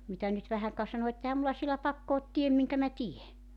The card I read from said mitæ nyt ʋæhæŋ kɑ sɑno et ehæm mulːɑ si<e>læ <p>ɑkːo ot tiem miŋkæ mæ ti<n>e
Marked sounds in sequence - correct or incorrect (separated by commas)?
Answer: correct, correct, incorrect